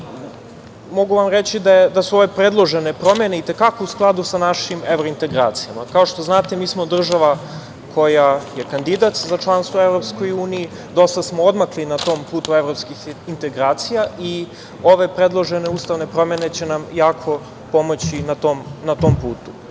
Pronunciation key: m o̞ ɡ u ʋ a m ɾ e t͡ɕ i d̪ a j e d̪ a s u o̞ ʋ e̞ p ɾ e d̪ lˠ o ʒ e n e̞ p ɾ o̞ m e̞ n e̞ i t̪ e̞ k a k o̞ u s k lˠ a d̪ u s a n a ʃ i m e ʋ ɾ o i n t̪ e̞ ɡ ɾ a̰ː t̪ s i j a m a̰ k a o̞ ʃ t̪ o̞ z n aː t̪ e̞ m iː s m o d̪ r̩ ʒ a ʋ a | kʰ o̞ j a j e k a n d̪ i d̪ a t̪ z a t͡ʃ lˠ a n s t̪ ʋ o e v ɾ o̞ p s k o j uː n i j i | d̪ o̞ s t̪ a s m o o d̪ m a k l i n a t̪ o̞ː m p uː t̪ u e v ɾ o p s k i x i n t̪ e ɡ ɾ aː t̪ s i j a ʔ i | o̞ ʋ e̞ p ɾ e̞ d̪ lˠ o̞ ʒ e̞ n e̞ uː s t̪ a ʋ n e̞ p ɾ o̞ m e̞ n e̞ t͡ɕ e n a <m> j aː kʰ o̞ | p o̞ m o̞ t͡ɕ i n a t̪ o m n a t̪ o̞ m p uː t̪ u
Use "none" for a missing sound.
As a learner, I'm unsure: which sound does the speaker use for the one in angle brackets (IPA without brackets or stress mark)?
m